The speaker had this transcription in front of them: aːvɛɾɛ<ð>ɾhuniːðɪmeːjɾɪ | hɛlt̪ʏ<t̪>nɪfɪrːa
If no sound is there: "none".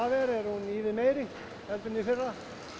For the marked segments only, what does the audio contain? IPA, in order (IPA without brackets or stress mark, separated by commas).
none, none